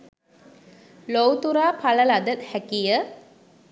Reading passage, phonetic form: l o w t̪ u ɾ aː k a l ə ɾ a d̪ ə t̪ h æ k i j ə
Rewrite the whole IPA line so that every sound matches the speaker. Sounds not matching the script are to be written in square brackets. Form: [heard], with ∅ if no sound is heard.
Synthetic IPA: l o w t̪ u ɾ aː [p] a l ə [l] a d̪ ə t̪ h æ k i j ə